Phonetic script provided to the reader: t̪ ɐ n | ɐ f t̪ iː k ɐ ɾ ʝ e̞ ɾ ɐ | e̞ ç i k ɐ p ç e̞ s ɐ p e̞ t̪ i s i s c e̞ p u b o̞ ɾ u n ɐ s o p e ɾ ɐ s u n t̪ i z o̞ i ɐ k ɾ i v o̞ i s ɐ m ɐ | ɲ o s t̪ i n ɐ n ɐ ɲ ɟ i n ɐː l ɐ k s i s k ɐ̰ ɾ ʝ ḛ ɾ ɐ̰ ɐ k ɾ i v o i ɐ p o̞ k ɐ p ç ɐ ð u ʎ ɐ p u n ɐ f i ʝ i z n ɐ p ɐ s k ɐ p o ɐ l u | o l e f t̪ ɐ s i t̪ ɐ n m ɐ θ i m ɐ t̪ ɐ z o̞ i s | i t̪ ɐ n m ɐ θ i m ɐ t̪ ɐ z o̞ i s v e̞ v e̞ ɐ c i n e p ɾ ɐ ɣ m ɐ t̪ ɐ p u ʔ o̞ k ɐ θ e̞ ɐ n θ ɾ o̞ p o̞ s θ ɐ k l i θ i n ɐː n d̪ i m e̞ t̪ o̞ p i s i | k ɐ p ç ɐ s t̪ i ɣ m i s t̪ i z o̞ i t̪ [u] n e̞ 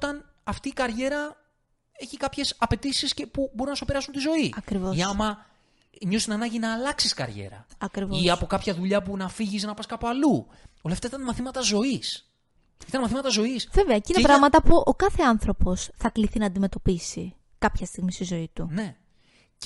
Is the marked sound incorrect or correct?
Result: correct